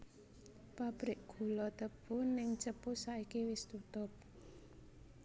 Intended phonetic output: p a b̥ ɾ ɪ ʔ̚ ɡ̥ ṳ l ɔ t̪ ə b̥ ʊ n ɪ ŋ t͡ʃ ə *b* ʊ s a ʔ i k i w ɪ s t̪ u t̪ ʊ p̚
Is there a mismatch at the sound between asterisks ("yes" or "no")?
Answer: yes